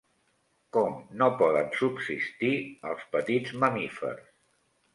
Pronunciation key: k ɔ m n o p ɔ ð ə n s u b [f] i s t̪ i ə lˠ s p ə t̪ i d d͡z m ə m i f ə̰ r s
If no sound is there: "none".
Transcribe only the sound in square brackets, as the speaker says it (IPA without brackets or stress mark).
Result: s